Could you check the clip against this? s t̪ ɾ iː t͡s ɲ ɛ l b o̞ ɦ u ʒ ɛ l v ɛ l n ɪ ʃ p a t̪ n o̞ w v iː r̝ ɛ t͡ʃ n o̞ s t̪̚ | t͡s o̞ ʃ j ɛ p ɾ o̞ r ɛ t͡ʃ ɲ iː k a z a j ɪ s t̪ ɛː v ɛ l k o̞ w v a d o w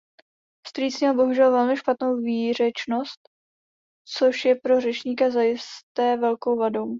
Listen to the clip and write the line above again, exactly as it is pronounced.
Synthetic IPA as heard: s t̪ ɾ iː t͡s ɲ ɛ l b o̞ ɦ u ʒ ɛ l v ɛ l m ɪ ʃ p a t̪ n o̞ w v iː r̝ ɛ t͡ʃ n o̞ s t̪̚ | t͡s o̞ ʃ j ɛ p ɾ o̞ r ɛ t͡ʃ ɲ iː k a z a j ɪ s t̪ ɛː v ɛ l k o̞ w v a d o w